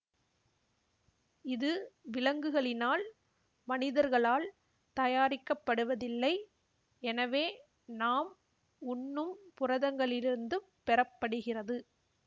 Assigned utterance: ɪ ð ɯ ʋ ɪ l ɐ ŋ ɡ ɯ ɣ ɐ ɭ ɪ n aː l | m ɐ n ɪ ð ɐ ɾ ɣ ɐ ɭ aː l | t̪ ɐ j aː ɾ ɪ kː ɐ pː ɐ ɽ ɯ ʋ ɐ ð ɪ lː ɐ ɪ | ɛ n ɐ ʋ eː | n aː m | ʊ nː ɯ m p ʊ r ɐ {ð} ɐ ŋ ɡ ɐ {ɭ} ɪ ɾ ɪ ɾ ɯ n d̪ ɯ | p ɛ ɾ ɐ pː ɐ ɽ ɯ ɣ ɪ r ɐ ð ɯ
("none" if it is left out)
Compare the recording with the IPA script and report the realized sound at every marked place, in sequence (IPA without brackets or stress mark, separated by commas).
ð, ɭ